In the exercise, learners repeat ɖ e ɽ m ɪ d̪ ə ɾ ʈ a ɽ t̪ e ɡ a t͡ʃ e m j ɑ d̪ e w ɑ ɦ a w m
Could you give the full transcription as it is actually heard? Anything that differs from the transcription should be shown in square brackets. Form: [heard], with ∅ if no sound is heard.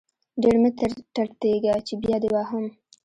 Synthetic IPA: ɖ e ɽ m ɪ [t̪] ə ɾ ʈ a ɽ t̪ e ɡ a t͡ʃ e [b] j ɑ d̪ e w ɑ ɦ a [∅] m